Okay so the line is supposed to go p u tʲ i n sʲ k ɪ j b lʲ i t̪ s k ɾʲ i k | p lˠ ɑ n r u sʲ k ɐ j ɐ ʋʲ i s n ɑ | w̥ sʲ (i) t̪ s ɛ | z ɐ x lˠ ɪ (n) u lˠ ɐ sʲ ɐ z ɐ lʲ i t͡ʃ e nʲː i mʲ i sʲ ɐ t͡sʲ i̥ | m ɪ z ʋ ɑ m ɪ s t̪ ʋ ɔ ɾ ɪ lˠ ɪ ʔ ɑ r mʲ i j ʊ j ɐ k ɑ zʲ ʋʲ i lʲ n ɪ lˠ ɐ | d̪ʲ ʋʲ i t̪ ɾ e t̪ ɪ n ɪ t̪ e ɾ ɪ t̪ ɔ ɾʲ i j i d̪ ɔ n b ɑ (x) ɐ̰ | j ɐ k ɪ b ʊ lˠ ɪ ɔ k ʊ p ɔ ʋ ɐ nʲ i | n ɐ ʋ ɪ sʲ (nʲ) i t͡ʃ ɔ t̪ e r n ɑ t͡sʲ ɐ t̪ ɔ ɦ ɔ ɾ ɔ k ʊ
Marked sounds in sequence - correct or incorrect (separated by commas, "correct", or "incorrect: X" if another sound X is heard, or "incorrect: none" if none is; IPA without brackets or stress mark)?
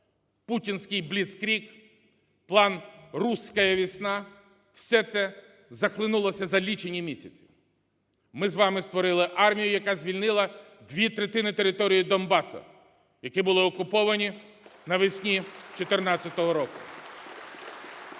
incorrect: ɛ, correct, incorrect: s, correct